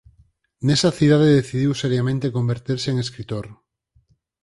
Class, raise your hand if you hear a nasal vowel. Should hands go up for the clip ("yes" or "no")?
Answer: yes